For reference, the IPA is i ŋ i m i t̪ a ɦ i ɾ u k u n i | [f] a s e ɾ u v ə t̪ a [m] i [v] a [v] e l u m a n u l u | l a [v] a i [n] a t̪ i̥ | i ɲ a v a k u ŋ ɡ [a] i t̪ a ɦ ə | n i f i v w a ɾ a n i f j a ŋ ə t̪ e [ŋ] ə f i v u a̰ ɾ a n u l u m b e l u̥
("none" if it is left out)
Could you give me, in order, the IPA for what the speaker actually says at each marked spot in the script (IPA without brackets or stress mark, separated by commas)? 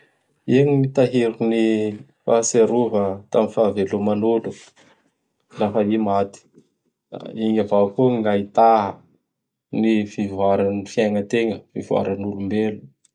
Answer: f, m, f, v, f, m, a, ŋ